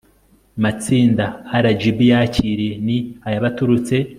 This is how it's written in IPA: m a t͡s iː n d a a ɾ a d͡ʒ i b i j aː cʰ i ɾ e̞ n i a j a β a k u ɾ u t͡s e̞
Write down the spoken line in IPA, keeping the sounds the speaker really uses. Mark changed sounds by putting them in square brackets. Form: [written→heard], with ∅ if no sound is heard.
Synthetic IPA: m a t͡s iː n d a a ɾ a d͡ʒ i b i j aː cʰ i ɾ e̞ n i a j a β a [k→t] u ɾ u t͡s e̞